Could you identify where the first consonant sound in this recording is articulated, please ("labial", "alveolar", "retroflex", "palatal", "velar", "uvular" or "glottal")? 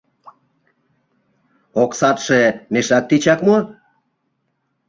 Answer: velar